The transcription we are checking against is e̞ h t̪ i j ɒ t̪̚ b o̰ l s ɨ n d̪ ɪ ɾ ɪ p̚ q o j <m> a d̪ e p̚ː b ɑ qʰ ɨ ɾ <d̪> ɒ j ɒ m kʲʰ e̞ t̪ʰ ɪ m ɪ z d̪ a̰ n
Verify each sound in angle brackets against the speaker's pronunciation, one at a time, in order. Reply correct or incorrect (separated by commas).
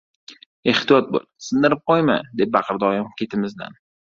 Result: correct, correct